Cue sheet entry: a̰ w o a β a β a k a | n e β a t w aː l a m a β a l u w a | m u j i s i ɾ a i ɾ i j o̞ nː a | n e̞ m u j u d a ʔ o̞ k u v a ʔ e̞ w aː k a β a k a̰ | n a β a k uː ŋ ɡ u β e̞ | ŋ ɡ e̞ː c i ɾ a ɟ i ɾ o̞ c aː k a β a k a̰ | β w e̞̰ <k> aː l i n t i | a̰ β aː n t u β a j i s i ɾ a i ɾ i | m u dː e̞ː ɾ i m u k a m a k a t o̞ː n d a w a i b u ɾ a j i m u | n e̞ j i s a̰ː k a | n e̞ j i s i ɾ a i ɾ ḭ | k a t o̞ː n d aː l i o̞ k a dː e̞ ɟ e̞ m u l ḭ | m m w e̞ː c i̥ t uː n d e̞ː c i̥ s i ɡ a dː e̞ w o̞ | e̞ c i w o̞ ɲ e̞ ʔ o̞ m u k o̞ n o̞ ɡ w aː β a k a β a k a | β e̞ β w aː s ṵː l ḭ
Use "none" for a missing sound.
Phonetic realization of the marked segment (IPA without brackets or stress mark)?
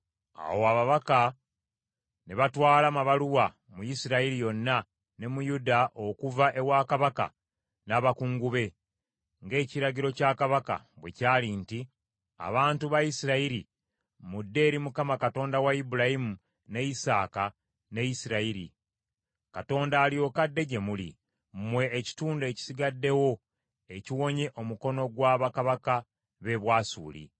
c